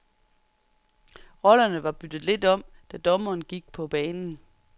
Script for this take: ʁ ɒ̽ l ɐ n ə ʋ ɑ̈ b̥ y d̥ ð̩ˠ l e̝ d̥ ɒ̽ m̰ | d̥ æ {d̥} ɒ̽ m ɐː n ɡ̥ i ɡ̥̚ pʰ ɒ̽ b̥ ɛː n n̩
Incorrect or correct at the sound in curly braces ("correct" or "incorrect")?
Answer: correct